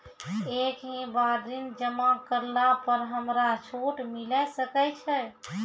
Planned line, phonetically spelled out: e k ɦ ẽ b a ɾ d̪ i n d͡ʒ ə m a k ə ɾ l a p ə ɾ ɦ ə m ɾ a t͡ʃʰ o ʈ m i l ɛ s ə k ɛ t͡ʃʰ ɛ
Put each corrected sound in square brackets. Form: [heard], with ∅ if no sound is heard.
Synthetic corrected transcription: e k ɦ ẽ b a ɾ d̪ i n d͡ʒ ə m a k ə ɾ l a p ə ɾ ɦ ə m ɾ a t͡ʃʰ o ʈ m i l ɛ s ə k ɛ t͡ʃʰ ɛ